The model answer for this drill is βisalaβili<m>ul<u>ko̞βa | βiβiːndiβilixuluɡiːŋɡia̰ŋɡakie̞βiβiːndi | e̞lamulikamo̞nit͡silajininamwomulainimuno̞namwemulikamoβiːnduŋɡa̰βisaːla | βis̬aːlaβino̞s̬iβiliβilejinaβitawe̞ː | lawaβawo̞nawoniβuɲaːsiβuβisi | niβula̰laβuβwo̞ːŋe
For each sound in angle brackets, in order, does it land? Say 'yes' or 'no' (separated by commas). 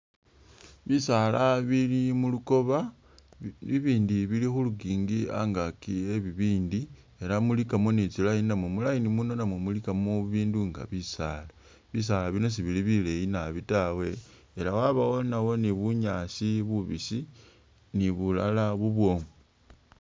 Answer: yes, yes